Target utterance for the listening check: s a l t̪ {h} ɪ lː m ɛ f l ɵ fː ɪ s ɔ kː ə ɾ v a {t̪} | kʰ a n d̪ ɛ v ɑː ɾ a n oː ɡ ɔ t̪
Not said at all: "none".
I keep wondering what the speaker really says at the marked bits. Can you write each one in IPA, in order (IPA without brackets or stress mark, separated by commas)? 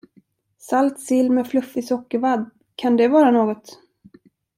s, d̪